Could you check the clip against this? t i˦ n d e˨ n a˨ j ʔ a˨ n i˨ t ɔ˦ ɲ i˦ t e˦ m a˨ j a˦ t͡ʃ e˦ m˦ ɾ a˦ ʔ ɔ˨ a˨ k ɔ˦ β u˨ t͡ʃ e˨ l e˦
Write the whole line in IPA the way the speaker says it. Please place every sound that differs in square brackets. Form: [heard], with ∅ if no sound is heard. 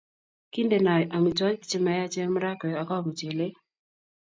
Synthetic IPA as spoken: [k] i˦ n d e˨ n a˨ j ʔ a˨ [m] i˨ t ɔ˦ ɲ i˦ [t͡ʃ] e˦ m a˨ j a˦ t͡ʃ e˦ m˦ ɾ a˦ [k] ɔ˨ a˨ k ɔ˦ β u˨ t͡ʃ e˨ l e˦

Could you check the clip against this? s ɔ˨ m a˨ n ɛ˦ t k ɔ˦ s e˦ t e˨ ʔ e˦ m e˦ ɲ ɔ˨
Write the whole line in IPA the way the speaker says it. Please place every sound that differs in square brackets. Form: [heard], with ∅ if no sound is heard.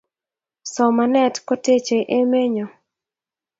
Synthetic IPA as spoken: s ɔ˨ m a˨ n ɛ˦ t k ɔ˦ [t] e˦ [t͡ʃ] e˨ ʔ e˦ m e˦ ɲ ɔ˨

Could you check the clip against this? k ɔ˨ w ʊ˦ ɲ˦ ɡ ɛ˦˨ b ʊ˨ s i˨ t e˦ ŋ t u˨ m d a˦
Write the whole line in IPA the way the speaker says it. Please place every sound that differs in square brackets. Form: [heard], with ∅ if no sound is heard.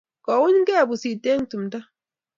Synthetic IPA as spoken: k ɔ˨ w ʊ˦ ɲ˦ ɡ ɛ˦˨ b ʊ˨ s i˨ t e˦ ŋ t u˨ m d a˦

